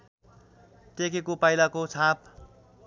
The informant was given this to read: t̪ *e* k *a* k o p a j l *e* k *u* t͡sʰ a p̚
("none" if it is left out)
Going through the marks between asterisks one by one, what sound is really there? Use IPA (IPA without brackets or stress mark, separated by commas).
e, e, a, o